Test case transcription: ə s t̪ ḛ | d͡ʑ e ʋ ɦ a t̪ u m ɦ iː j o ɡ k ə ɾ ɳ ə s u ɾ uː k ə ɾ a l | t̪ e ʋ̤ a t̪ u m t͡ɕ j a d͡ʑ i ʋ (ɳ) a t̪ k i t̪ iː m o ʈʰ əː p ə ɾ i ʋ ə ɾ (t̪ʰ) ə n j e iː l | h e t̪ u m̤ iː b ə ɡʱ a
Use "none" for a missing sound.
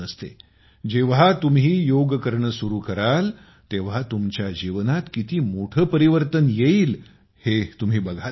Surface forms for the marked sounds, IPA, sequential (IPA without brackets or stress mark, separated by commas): n, t̪